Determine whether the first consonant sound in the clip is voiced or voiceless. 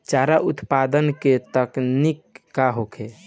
voiceless